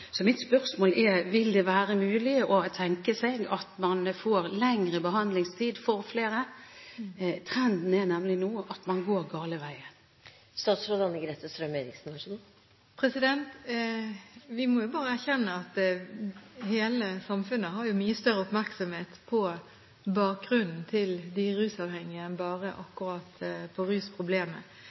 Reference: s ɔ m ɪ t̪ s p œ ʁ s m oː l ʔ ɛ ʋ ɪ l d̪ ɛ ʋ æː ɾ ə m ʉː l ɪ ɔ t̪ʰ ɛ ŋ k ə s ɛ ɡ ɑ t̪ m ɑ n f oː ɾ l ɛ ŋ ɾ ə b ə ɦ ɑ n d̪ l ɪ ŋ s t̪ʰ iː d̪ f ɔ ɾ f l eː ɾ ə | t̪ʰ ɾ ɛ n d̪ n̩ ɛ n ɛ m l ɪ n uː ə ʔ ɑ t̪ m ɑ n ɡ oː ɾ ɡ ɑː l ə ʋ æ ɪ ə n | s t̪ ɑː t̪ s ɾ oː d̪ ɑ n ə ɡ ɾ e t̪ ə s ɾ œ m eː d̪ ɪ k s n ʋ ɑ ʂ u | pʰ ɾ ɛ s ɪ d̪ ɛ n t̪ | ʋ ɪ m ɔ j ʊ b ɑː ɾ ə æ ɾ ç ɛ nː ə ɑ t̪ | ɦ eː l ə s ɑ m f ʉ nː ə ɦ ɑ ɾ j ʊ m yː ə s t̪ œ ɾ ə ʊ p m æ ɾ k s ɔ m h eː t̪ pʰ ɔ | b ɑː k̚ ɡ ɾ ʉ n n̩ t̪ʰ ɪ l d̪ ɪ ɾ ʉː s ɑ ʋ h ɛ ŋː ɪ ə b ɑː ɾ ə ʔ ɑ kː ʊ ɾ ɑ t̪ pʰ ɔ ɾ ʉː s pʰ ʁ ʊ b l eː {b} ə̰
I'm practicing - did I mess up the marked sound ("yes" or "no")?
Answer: yes